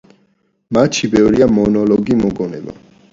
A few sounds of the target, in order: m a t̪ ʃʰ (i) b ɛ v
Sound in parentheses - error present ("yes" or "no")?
no